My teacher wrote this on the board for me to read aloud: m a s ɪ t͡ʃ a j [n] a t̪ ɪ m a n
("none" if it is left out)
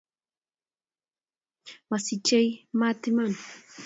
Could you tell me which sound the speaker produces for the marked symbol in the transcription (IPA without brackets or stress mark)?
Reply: m